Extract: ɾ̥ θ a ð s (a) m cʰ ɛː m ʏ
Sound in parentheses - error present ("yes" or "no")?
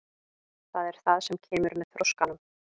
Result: yes